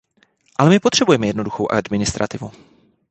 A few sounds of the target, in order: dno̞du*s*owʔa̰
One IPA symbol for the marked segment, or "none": x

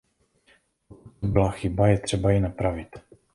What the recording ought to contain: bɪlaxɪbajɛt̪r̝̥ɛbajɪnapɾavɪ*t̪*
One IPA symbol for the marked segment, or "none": t̪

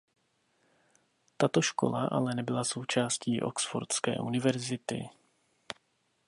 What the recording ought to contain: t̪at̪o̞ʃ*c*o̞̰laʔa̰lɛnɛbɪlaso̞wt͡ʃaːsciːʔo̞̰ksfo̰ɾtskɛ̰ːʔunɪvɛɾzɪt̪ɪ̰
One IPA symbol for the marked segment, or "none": k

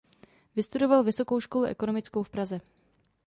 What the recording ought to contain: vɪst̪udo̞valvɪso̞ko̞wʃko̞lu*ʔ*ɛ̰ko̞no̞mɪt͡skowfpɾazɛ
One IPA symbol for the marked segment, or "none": ʔ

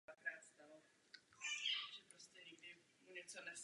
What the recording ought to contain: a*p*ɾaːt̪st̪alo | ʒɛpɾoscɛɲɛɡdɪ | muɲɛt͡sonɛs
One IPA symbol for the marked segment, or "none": k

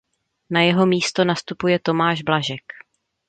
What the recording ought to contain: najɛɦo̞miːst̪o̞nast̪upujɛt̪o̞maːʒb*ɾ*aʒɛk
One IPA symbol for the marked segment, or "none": l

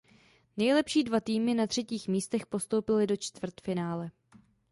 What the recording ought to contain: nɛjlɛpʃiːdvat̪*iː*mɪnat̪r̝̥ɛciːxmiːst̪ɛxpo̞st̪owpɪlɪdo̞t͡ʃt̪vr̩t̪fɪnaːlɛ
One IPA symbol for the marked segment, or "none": iː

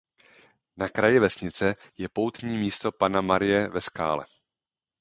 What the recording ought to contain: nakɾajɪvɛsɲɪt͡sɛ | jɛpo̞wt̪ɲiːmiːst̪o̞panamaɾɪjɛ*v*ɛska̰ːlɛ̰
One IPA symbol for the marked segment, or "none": v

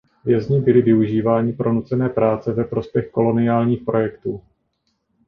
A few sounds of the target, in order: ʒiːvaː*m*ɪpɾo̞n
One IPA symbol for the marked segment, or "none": ɲ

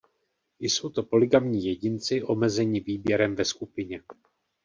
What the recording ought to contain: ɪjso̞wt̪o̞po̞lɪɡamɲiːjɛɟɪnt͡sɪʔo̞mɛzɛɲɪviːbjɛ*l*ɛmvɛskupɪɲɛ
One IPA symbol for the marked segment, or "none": ɾ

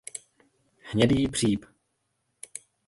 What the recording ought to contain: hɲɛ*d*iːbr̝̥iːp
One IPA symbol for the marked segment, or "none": d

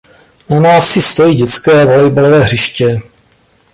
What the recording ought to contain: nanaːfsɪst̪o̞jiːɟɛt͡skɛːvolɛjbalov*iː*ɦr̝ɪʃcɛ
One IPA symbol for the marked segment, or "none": ɛː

